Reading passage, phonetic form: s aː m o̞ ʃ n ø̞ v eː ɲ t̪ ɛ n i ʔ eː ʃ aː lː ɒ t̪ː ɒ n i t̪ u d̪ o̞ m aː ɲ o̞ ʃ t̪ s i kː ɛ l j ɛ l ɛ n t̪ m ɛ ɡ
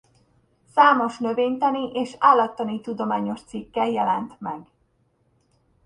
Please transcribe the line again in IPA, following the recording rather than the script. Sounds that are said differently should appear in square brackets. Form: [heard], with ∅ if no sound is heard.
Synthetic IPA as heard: s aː m o̞ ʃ n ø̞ v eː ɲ t̪ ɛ n i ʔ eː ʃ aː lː ɒ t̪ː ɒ n i t̪ u d̪ o̞ m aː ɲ o̞ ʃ t̪ s i kː ɛ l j ɛ l ɛ n t̪ m ɛ ɡ